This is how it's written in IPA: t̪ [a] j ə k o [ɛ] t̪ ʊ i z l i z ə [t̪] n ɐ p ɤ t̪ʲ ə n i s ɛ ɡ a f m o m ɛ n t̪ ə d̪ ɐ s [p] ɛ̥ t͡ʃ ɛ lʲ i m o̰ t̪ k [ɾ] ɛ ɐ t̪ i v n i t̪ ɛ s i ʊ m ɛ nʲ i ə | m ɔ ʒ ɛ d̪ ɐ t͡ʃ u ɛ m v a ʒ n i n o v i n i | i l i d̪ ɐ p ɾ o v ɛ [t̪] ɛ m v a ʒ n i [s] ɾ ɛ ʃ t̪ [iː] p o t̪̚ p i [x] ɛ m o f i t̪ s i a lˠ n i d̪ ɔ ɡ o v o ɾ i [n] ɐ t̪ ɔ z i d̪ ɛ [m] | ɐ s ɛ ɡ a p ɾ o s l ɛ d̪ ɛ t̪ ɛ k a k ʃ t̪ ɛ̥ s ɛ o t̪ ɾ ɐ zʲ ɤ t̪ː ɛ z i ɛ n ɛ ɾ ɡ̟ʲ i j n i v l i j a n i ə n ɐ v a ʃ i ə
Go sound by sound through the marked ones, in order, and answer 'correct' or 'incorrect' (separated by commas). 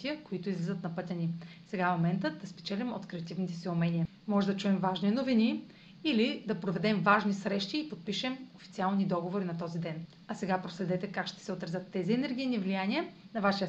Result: incorrect, incorrect, correct, correct, correct, incorrect, correct, correct, incorrect, correct, incorrect